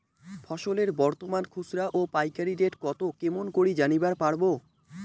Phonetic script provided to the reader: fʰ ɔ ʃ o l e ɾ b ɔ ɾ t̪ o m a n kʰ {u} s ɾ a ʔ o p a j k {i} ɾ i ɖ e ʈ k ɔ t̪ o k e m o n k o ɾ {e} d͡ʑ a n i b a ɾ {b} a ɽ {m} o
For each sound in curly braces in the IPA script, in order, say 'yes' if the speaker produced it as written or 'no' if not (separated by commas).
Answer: yes, no, no, no, no